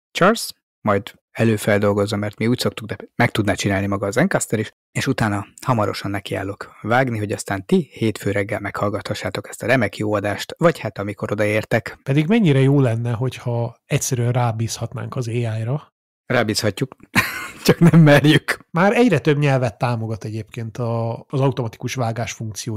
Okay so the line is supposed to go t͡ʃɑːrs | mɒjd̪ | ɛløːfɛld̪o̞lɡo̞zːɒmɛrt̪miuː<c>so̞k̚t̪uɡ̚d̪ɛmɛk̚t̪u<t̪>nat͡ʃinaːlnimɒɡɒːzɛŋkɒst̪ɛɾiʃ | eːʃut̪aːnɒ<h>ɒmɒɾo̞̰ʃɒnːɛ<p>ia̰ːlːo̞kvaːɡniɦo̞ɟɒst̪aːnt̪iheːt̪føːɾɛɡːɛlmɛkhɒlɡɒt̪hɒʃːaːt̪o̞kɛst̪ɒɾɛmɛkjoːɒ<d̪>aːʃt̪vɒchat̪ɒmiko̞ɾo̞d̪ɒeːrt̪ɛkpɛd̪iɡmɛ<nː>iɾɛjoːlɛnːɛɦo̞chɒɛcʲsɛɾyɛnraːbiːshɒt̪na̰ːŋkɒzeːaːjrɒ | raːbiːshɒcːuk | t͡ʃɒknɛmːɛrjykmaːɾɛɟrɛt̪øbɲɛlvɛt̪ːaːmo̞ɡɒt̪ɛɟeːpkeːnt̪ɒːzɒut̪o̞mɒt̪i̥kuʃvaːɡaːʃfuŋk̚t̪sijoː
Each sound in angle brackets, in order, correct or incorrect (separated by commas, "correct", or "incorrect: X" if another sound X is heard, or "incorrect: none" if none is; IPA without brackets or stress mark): correct, incorrect: d̪, correct, incorrect: k, correct, incorrect: ɲː